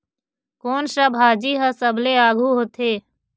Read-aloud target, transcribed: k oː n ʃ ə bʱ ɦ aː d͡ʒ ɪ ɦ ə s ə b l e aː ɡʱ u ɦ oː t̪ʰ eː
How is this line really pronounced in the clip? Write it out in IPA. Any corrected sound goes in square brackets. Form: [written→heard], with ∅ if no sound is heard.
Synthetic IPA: k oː n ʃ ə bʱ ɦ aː d͡ʒ [ɪ→i] ɦ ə s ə b l e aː ɡʱ u ɦ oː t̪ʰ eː